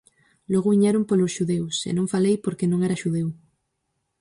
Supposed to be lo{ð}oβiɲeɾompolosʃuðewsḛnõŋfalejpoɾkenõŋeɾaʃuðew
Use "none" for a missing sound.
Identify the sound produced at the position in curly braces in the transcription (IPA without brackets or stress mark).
ɣ